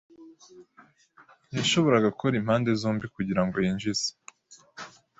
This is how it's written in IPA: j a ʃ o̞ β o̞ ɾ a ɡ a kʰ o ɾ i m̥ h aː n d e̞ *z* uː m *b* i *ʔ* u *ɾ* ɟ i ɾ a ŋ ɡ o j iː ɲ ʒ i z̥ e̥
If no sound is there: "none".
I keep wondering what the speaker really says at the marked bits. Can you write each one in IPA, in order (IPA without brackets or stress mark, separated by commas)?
z, b, k, none